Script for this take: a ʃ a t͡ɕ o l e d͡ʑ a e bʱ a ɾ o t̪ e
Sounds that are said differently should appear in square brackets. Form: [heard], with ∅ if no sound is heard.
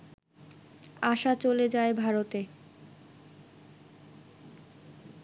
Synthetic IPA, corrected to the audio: a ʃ a t͡ɕ o l e d͡ʑ a e bʱ a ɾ o t̪ e